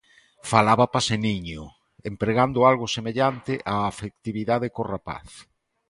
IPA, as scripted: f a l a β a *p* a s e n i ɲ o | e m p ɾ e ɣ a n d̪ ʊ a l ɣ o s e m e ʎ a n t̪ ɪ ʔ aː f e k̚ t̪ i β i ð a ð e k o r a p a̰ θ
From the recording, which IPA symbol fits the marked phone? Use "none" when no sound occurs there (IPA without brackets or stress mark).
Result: p